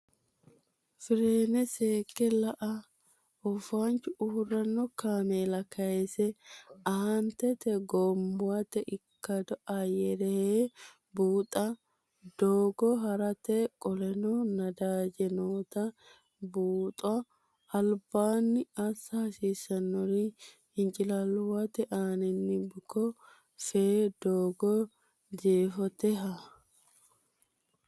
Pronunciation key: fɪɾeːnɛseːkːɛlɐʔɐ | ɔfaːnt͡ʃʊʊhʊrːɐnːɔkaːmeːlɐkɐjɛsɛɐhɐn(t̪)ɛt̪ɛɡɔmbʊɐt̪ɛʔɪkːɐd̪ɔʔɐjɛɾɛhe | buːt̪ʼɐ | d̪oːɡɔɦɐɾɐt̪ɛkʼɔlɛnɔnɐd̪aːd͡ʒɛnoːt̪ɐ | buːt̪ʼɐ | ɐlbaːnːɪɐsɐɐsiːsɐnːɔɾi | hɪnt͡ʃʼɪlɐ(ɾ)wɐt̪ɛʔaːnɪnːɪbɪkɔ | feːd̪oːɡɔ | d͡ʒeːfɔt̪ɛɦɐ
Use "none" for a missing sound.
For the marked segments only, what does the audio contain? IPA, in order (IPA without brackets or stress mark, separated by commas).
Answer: t̪, l